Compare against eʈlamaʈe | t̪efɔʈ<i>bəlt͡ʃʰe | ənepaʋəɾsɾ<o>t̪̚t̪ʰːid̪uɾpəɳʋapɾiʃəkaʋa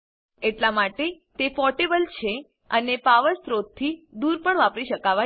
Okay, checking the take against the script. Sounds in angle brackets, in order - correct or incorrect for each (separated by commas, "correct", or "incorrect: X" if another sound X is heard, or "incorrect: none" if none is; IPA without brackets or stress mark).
incorrect: e, correct